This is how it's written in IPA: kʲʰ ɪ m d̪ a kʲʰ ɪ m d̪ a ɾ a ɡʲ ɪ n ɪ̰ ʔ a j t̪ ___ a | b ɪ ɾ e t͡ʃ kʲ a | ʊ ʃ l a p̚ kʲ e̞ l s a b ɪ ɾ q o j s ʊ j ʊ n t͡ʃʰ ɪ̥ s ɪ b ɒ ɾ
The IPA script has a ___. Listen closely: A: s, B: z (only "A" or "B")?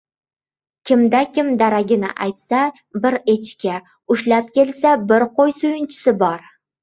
A